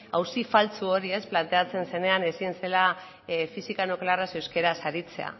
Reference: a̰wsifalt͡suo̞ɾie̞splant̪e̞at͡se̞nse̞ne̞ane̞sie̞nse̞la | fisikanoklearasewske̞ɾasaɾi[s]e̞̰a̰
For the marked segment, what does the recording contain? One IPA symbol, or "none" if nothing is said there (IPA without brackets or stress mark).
t͡s